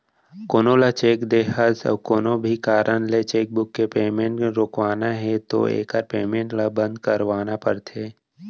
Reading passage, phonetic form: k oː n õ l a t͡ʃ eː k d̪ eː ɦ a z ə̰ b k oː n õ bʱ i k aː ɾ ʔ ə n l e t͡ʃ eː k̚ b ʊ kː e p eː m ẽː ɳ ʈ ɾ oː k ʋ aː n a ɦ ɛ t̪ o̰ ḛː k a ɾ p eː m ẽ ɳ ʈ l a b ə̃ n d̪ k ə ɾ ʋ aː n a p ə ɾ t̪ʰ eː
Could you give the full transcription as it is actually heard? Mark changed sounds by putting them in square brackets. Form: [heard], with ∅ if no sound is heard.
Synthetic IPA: k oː n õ l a t͡ʃ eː k d̪ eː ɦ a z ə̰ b k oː n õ bʱ i k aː ɾ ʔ ə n l e t͡ʃ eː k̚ b ʊ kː e p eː m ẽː ɳ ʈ ɾ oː k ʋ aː n a ɦ ɛ t̪ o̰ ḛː k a ɾ p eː m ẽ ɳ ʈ l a b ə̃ n d̪ k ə ɾ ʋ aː n a p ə ɾ t̪ʰ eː